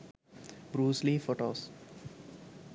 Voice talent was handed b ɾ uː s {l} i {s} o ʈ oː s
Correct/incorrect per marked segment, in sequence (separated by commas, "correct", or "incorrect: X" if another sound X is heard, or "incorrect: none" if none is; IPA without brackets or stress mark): correct, incorrect: f